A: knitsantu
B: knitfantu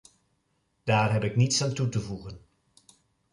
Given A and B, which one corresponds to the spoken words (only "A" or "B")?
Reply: A